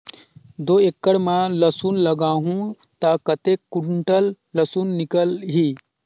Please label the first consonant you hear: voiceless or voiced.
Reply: voiced